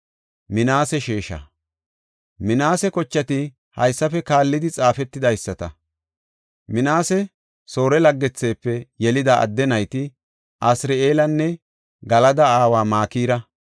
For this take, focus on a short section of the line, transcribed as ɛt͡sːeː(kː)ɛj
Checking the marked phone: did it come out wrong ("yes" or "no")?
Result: yes